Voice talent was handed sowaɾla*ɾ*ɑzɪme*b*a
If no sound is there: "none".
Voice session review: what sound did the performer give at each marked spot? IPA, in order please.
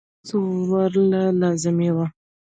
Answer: l, w

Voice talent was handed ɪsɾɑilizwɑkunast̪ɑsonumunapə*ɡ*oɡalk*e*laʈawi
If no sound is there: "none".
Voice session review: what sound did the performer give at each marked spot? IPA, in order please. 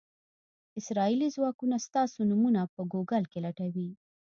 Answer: ɡ, e

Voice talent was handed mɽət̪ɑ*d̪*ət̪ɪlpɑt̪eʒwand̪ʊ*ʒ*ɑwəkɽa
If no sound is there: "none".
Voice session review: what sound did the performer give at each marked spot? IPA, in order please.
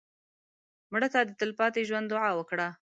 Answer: d̪, ʕ

